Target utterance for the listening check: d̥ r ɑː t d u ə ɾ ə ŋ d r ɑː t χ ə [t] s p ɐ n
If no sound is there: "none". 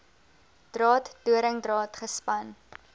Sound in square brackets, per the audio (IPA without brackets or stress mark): none